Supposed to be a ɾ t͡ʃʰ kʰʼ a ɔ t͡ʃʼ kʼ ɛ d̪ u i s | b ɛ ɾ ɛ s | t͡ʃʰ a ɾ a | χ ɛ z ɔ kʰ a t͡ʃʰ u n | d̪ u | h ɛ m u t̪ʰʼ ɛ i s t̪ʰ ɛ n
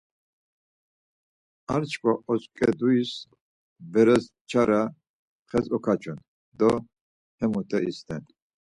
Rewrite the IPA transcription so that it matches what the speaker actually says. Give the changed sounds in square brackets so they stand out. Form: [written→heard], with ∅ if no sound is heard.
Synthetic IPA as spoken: a ɾ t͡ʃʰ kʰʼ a ɔ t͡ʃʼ kʼ ɛ d̪ u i s | b ɛ ɾ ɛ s | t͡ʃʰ a ɾ a | χ ɛ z ɔ kʰ a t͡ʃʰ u n | d̪ [u→ɔ] | h ɛ m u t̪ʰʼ ɛ i s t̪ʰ ɛ n